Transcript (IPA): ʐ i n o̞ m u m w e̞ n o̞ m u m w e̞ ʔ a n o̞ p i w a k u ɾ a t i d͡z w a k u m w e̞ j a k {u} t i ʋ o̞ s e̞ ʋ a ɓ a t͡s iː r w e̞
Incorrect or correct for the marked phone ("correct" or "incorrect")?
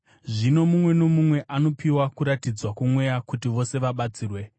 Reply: correct